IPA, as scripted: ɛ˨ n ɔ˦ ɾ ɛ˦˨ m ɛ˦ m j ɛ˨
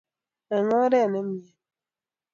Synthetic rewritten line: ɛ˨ ŋ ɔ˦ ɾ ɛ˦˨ n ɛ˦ m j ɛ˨